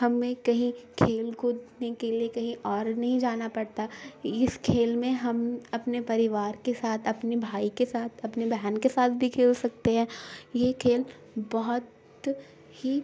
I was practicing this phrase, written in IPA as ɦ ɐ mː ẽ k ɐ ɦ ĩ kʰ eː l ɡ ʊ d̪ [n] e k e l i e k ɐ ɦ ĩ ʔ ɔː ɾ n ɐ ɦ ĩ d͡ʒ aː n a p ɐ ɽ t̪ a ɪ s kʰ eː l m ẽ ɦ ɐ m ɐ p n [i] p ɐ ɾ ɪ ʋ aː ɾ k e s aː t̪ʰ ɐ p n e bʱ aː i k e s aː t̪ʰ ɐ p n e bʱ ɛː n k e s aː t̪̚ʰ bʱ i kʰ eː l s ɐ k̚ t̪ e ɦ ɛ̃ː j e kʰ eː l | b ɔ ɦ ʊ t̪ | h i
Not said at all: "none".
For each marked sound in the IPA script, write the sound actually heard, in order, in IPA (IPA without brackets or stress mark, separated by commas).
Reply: n, e